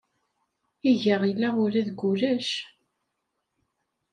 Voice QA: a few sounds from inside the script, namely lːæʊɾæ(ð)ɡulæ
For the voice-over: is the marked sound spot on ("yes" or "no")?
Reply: yes